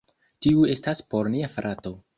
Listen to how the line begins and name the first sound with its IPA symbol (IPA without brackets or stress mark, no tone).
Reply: t